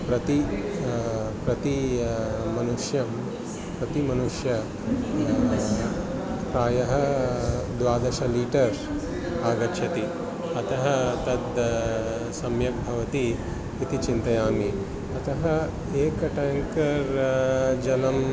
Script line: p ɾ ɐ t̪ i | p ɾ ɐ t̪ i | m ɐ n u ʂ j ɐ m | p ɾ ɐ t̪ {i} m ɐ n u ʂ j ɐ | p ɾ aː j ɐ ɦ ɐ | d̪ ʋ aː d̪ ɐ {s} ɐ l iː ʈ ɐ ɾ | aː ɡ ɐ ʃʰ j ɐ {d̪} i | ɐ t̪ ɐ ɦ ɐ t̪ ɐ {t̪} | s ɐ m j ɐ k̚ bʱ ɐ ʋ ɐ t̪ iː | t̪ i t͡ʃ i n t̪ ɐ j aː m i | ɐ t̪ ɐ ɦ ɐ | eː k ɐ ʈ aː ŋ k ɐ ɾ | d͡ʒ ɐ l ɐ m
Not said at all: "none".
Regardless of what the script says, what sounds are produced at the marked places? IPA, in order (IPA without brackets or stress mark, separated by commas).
i, ʃ, t̪, d̪